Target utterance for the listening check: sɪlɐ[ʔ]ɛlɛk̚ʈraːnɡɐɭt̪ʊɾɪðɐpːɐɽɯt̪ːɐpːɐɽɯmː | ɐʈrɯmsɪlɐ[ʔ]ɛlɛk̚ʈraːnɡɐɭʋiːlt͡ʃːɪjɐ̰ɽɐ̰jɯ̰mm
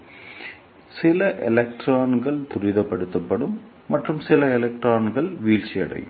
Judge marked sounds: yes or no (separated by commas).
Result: yes, no